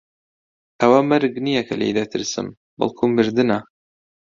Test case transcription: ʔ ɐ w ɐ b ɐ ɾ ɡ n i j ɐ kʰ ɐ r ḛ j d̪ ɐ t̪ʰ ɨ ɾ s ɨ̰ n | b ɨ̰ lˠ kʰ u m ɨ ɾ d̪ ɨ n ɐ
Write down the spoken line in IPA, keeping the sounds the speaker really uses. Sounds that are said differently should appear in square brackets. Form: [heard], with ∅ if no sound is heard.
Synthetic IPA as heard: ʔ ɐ w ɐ [m] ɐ ɾ ɡ n i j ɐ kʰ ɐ [l] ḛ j d̪ ɐ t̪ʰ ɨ ɾ s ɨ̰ [m] | b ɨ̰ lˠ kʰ u m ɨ ɾ d̪ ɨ n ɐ